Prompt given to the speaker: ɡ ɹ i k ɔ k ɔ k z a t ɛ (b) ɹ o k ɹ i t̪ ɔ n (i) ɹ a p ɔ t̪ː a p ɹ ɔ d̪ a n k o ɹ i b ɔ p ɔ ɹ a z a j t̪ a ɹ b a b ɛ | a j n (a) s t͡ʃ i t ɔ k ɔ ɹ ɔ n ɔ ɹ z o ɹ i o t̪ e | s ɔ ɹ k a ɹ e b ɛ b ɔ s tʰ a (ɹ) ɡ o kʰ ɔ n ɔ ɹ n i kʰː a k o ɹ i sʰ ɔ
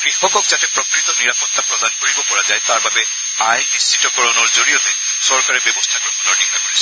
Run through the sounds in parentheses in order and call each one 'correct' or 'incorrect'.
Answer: incorrect: p, correct, incorrect: i, incorrect: none

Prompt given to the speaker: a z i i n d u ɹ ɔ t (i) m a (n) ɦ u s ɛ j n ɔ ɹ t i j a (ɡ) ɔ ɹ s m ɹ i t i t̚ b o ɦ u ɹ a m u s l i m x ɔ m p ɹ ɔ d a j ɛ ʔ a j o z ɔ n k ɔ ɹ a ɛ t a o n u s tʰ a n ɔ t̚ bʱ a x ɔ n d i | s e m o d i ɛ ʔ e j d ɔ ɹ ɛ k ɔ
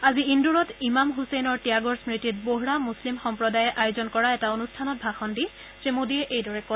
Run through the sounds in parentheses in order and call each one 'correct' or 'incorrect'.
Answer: correct, incorrect: m, correct

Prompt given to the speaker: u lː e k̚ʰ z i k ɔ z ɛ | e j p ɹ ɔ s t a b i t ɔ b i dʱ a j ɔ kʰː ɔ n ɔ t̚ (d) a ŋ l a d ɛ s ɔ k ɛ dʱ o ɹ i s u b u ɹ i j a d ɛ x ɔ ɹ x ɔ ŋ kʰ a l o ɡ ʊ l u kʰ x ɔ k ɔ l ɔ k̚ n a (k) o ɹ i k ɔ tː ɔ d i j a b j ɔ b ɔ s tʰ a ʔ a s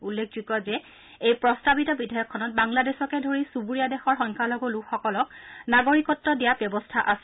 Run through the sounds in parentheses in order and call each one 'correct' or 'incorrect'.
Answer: incorrect: b, incorrect: ɡ

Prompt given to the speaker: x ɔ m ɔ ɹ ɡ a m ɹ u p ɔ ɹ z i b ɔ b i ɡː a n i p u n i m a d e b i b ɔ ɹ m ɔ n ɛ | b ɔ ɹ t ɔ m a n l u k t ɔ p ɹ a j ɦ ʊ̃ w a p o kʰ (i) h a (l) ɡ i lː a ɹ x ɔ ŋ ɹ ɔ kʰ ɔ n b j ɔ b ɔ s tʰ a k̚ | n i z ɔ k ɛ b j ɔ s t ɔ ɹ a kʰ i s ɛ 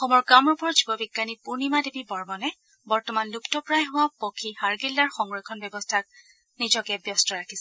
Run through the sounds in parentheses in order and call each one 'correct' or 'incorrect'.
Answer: correct, incorrect: ɹ

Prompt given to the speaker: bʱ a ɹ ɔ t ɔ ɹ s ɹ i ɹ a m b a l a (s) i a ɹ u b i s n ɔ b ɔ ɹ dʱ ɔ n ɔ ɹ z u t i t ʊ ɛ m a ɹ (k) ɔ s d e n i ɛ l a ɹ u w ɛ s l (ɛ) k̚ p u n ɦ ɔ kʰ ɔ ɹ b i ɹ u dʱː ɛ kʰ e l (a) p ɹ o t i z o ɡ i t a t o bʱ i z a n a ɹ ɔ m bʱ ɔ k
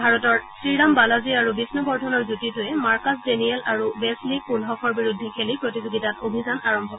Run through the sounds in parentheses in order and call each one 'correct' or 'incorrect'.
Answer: incorrect: z, correct, incorrect: i, incorrect: i

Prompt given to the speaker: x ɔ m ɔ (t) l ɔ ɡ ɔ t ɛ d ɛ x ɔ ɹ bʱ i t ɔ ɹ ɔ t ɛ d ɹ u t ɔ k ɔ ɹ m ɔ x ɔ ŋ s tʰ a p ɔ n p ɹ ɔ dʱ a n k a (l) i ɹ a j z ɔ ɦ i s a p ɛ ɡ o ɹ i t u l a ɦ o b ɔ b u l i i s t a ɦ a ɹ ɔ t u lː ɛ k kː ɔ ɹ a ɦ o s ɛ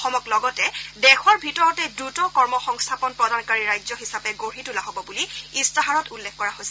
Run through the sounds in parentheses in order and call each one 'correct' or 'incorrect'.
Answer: incorrect: k, incorrect: ɹ

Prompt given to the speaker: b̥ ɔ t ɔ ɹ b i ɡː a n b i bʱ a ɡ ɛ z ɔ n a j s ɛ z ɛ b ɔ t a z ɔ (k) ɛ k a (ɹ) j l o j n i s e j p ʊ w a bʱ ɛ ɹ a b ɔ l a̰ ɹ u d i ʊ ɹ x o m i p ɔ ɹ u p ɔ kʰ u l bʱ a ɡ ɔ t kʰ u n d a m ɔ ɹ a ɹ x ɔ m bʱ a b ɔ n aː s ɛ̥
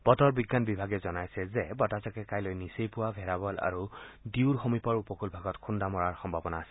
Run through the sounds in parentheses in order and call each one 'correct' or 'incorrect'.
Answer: correct, incorrect: none

